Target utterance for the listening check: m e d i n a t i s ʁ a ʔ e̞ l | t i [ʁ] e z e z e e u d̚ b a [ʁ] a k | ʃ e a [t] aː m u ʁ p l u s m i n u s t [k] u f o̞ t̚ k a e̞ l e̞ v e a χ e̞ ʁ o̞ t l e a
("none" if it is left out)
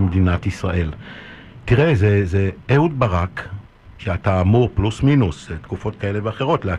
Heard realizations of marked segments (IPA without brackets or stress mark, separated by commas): ʁ, ʁ, t, k